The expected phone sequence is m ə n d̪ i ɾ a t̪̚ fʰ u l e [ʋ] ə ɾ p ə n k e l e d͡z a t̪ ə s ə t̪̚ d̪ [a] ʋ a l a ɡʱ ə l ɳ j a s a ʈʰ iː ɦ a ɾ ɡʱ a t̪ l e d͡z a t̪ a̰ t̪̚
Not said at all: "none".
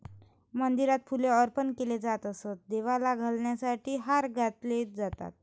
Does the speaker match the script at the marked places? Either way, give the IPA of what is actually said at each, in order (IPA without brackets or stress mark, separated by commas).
none, e